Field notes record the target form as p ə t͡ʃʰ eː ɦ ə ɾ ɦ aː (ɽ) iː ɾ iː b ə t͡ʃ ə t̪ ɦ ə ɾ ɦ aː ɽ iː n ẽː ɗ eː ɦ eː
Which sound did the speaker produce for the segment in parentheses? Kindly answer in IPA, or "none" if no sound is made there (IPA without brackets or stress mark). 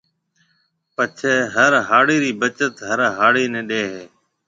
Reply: ɽ